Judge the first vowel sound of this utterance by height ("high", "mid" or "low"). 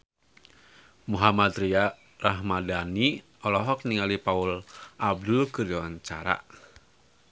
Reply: high